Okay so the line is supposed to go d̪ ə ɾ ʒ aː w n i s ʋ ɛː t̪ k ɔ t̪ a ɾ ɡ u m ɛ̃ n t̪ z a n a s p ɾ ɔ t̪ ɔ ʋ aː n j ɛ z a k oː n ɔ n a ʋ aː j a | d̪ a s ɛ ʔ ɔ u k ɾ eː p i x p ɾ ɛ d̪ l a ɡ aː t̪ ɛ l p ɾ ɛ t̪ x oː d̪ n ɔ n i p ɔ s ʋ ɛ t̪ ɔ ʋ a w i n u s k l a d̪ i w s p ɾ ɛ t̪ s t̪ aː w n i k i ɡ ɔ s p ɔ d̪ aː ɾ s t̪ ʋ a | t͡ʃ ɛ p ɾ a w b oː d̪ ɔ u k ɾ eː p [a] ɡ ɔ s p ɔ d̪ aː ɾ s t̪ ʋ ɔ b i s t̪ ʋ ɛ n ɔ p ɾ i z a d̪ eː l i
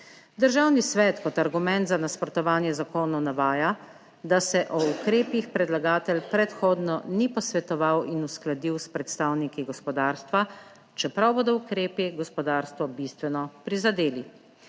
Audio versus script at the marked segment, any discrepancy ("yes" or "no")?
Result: yes